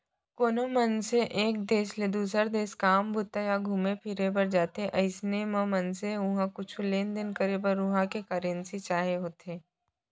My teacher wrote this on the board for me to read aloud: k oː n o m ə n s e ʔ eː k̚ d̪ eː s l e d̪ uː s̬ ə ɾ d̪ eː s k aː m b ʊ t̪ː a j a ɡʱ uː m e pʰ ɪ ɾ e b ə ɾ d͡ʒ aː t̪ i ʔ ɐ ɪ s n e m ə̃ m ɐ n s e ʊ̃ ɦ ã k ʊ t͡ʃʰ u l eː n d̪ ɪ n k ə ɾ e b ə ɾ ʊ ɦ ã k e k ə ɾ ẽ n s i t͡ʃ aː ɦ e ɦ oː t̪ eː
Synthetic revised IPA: k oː n o m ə n s e ʔ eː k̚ d̪ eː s l e d̪ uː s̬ ə ɾ d̪ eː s k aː m b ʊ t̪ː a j a ɡʱ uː m e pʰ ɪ ɾ e b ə ɾ d͡ʒ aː t̪ e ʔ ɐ ɪ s n e m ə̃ m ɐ n s e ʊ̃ ɦ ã k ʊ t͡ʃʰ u l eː n d̪ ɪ n k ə ɾ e b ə ɾ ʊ ɦ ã k e k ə ɾ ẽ n s i t͡ʃ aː ɦ e ɦ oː t̪ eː